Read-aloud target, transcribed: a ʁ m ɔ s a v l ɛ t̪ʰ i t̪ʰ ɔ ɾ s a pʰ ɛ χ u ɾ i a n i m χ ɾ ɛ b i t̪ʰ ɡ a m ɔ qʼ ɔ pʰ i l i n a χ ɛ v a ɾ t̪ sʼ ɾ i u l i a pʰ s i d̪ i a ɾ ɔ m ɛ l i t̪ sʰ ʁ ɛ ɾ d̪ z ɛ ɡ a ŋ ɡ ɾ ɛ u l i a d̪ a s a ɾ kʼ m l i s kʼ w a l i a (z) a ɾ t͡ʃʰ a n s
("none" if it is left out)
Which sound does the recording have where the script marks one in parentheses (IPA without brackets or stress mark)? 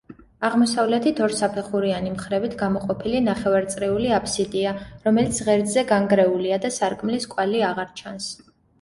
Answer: ʁ